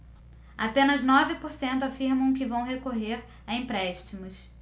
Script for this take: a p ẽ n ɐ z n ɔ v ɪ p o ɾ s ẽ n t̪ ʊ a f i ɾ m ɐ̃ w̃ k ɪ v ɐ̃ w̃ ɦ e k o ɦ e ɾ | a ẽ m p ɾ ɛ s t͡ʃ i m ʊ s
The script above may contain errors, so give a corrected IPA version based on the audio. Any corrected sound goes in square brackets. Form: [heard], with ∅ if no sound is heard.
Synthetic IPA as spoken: a p ẽ n ɐ z n ɔ v ɪ p o ɾ s ẽ n t̪ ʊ a f i ɾ m ɐ̃ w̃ k ɪ v ɐ̃ w̃ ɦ e k o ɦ e ɾ | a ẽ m p ɾ ɛ [ʃ] t͡ʃ i m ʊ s